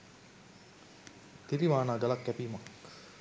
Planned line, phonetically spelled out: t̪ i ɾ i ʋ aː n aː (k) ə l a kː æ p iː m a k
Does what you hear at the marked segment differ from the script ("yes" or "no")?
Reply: yes